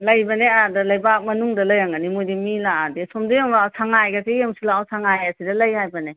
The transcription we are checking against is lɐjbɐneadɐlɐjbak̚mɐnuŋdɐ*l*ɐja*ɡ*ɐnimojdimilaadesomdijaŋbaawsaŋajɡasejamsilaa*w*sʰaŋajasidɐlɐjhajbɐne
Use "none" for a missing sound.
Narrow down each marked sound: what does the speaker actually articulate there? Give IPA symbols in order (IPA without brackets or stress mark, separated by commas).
l, ŋ, w